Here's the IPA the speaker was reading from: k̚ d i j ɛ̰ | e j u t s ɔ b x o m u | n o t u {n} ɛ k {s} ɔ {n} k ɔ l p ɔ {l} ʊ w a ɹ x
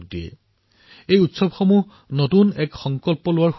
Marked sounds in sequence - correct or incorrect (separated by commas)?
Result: correct, incorrect, incorrect, correct